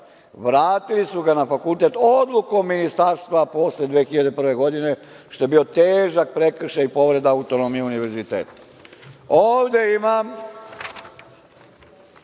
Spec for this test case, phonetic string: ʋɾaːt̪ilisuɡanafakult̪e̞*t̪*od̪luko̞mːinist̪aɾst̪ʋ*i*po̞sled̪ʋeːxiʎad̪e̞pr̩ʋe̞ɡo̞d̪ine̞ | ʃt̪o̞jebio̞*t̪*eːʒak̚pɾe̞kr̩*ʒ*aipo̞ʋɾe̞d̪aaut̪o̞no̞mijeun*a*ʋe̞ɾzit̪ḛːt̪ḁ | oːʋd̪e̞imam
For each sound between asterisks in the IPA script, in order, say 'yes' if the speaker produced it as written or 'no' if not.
yes, no, yes, no, no

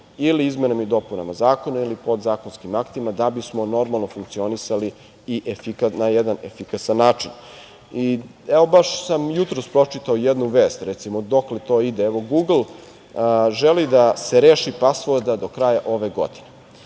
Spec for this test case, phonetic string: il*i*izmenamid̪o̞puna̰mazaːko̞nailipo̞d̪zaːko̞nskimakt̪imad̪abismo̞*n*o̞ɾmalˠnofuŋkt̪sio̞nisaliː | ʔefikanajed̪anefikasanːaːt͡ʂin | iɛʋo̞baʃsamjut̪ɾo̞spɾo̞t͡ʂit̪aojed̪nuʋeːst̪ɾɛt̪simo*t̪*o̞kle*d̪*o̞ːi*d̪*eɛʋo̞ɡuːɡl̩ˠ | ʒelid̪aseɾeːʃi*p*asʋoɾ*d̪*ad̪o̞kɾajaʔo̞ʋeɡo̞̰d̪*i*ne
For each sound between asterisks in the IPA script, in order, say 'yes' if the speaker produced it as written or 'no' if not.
yes, yes, no, no, yes, yes, yes, yes

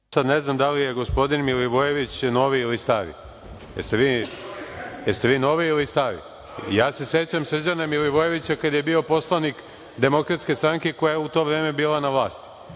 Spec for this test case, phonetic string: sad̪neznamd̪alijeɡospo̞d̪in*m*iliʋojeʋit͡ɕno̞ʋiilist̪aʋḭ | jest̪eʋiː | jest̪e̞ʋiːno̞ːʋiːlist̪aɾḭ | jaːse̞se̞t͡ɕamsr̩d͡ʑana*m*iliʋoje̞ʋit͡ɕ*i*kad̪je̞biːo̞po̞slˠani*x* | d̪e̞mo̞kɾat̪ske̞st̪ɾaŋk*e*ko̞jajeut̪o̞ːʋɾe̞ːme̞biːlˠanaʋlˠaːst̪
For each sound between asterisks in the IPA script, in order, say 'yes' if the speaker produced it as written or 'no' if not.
yes, yes, no, no, yes

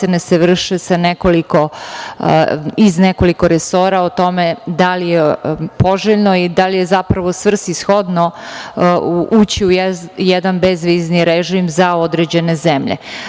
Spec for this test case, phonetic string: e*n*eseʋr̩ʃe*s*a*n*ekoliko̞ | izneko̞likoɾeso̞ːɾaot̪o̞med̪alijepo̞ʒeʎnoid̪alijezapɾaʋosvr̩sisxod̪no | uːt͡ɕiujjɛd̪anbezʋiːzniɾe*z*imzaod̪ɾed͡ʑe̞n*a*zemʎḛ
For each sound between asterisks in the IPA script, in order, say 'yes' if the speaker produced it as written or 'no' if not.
yes, yes, yes, no, no

